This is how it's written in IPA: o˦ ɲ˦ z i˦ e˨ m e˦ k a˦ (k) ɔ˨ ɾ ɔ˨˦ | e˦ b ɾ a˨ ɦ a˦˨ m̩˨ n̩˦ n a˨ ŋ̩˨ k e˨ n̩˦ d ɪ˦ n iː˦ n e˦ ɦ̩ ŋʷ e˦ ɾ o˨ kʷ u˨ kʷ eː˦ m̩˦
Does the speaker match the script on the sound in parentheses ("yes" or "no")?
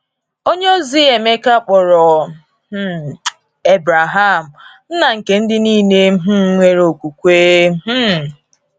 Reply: no